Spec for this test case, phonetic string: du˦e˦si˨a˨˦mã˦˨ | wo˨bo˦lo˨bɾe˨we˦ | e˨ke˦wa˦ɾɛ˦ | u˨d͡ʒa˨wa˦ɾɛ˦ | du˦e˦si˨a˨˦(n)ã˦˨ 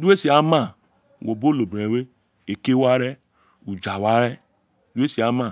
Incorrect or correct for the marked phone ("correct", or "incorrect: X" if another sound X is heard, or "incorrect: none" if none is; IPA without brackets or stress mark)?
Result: incorrect: m